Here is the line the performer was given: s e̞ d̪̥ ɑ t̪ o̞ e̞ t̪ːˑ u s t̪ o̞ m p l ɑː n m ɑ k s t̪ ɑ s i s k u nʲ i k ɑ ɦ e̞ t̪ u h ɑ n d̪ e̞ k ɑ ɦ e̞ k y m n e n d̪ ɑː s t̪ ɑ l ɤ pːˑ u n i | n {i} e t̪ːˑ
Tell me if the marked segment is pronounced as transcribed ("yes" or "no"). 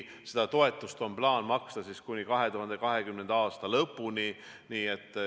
no